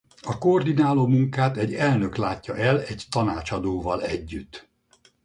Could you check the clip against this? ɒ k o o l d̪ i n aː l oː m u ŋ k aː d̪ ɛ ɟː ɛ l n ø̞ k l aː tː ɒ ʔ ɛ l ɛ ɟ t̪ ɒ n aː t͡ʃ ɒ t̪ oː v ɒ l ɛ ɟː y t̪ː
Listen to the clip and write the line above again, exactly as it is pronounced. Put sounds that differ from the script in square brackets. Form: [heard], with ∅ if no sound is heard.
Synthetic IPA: ɒ k o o [r] d̪ i n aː l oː m u ŋ k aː [t̪] ɛ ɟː ɛ l n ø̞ k l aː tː ɒ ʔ ɛ l ɛ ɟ t̪ ɒ n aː t͡ʃ ɒ [d̪] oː v ɒ l ɛ ɟː y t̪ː